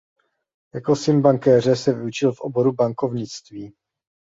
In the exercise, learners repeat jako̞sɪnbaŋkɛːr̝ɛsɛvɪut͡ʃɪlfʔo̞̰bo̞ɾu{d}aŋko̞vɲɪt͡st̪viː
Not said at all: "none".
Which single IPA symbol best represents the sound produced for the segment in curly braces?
b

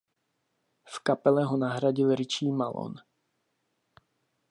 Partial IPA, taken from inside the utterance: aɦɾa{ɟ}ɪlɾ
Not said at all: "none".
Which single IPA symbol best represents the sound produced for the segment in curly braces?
ɟ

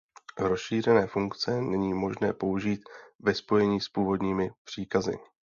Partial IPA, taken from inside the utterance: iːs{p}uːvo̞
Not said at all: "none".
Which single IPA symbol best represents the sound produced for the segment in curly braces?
p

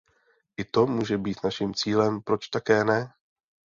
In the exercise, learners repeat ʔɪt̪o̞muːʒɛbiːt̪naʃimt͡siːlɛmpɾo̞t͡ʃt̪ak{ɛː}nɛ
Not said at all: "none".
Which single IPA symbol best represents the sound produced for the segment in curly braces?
ɛː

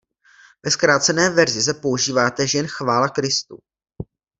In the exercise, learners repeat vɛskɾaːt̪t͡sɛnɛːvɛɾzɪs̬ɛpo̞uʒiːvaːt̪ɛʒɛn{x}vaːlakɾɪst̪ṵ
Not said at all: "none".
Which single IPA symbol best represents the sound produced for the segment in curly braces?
x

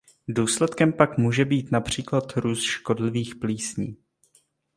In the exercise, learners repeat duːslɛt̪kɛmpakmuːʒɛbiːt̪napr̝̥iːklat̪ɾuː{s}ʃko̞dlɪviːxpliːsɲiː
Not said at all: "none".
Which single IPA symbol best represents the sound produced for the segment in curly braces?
s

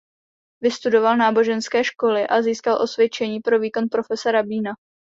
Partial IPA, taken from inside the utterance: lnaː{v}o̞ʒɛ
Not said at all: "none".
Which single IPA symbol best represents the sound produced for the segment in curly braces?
b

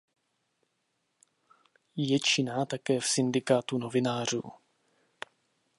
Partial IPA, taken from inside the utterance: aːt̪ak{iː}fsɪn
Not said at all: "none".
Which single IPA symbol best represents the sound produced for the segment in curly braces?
ɛː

